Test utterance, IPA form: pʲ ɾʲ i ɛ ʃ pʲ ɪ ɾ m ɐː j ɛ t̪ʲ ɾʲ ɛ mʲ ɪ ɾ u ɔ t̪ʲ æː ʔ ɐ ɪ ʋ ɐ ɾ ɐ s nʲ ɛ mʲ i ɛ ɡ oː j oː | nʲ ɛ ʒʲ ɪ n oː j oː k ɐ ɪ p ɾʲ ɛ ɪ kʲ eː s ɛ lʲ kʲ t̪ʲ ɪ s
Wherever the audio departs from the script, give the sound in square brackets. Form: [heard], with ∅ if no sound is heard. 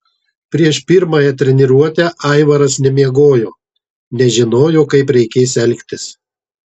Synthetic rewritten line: pʲ ɾʲ i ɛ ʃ pʲ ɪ ɾ m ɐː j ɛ t̪ʲ ɾʲ ɛ [nʲ] ɪ ɾ u ɔ t̪ʲ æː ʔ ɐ ɪ ʋ ɐ ɾ ɐ s nʲ ɛ mʲ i ɛ ɡ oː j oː | nʲ ɛ ʒʲ ɪ n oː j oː k ɐ ɪ p ɾʲ ɛ ɪ kʲ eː s ɛ lʲ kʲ t̪ʲ ɪ s